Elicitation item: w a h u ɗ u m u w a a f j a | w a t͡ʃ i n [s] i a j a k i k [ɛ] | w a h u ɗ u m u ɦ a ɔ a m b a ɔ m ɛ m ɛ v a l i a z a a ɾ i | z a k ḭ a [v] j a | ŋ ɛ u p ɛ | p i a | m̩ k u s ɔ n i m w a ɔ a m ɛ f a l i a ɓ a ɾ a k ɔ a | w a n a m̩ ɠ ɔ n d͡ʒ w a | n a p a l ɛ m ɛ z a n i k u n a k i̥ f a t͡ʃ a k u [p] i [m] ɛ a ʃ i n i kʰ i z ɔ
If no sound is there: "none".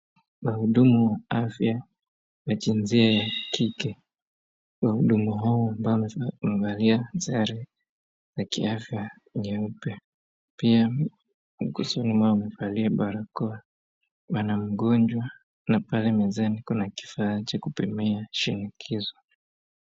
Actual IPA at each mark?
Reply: z, ɛ, f, p, m

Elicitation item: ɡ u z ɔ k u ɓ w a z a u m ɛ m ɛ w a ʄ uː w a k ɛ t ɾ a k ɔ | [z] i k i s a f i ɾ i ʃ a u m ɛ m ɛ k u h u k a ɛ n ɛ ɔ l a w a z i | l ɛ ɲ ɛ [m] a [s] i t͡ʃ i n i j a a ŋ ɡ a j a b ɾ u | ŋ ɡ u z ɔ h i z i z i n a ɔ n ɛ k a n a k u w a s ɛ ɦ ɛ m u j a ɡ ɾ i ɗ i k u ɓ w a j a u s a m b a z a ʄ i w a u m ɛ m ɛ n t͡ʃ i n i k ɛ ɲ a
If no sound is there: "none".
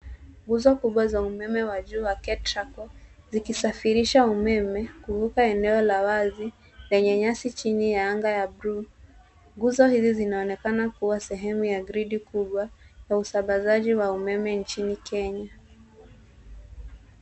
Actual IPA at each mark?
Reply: z, ɲ, s

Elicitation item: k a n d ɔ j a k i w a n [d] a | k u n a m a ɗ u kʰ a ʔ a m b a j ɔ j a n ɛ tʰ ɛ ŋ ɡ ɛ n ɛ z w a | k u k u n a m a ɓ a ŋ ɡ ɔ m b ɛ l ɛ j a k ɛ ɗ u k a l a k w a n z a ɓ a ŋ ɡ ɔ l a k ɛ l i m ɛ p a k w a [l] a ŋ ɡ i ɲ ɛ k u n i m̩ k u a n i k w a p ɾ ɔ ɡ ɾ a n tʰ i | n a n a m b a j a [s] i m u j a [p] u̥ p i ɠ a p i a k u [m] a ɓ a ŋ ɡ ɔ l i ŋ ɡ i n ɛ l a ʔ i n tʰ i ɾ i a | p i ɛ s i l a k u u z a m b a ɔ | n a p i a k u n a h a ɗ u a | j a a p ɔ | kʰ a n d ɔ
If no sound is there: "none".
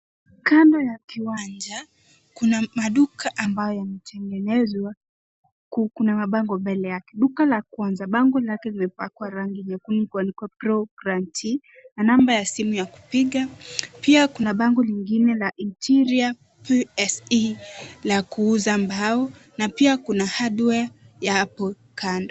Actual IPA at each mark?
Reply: d͡ʒ, ɾ, s, k, n

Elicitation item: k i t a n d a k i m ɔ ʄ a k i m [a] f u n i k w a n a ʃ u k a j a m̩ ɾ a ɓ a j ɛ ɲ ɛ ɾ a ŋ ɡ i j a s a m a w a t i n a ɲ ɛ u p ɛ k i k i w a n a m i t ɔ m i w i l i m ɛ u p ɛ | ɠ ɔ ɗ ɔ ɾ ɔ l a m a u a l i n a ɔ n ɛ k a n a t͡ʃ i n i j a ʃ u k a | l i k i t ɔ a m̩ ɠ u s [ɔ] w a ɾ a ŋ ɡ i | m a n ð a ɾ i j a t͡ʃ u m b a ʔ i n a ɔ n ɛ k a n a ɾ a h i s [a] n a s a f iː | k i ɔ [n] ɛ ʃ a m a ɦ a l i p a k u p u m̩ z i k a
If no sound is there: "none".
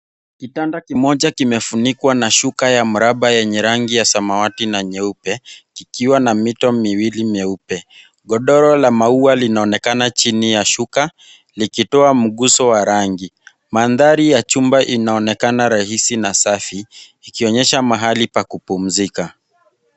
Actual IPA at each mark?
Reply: ɛ, ɔ, i, ɲ

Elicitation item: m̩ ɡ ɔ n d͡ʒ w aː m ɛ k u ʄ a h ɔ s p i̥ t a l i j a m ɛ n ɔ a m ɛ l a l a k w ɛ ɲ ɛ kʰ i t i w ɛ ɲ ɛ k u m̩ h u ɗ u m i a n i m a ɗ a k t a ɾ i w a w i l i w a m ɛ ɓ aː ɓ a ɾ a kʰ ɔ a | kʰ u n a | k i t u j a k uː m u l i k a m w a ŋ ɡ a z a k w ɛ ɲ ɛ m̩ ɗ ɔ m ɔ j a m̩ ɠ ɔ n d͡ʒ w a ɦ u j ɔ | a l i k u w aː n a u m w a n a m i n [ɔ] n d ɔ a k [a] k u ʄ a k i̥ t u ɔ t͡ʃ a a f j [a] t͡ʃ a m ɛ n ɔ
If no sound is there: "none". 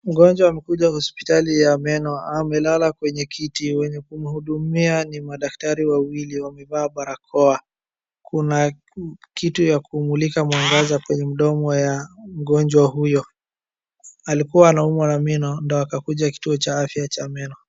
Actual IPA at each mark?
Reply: ɔ, a, a

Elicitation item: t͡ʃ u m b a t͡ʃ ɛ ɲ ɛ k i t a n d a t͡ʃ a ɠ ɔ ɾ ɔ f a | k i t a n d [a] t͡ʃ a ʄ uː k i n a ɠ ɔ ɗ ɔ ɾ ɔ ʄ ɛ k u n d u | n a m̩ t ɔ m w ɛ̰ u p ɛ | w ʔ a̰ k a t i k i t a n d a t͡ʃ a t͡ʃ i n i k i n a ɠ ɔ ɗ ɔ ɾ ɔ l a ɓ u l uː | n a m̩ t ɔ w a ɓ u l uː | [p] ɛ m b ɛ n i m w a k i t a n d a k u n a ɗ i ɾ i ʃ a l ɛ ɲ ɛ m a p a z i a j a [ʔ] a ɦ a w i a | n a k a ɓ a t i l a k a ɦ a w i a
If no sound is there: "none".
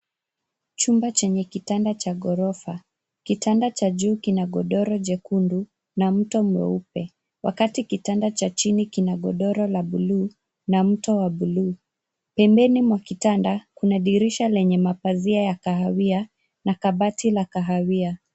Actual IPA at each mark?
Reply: a, p, k

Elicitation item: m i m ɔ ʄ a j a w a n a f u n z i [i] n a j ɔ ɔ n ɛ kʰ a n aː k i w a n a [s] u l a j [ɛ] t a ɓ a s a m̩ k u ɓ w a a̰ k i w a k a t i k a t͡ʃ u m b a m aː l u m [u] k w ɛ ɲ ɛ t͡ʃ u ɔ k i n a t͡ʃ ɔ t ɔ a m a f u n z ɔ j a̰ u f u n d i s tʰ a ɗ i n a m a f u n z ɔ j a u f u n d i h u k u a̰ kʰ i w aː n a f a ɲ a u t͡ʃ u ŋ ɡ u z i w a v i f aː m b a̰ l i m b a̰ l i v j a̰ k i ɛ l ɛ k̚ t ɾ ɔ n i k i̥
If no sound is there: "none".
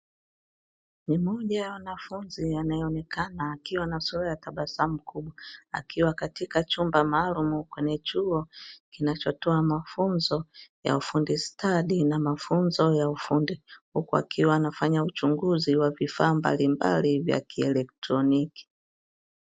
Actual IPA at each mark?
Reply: a, s, a, u

